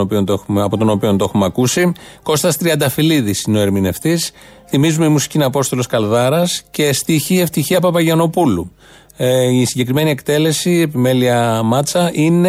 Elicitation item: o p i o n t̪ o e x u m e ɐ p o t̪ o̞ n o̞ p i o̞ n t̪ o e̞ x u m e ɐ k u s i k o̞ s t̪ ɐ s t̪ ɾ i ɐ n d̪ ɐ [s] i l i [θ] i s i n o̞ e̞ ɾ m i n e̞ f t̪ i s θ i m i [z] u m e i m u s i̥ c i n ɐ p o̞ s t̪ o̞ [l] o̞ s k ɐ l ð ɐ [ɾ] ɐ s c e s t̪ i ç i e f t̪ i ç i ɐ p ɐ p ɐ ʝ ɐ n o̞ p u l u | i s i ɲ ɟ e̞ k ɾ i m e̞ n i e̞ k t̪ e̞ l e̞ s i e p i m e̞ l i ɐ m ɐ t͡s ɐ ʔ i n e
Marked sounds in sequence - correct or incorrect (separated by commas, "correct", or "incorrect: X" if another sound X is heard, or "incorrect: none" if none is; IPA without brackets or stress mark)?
incorrect: f, incorrect: ð, correct, correct, correct